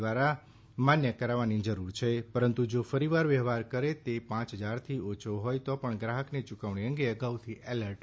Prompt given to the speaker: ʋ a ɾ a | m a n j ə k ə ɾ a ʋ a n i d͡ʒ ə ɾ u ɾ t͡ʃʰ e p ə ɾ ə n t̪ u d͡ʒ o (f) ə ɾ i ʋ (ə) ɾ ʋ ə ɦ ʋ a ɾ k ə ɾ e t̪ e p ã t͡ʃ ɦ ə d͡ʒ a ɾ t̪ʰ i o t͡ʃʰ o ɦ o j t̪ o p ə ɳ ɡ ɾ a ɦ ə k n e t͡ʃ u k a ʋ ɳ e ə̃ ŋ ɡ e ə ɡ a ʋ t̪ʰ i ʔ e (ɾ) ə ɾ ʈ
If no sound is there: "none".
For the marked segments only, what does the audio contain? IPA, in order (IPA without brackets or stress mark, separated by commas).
f, a, l